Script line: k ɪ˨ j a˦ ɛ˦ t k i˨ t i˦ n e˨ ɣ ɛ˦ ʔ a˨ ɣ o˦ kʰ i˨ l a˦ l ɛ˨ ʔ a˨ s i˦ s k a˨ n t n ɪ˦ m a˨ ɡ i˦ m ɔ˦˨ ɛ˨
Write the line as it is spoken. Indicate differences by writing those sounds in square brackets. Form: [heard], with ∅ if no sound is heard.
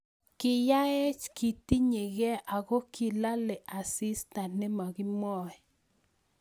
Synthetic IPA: k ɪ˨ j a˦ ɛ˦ [t͡ʃ] k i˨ t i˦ [ɲ] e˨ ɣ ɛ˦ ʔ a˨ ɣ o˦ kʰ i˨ l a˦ l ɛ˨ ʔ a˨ s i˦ s [t] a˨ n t n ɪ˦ m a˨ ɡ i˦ m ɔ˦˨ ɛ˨